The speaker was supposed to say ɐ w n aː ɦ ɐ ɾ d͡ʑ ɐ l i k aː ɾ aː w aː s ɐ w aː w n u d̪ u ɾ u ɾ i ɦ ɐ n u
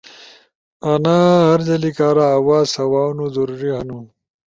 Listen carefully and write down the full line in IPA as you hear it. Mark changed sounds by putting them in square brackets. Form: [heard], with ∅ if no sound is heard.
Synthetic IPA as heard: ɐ [∅] n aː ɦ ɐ ɾ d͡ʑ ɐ l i k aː ɾ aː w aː s ɐ w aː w n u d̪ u ɾ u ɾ i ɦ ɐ n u